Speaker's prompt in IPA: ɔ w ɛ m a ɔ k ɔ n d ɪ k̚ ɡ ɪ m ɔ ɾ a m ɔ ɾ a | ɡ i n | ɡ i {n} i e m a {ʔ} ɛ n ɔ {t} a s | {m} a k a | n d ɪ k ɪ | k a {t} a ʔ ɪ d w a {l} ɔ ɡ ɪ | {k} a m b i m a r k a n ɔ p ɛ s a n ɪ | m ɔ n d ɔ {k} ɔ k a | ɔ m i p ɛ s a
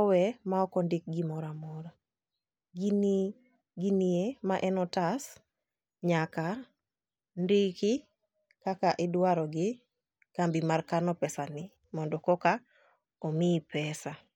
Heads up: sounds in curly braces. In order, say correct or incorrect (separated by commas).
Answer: correct, correct, correct, incorrect, incorrect, incorrect, correct, correct